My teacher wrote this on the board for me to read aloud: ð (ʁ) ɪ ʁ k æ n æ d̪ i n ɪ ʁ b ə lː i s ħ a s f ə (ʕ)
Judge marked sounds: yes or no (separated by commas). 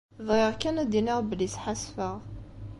yes, no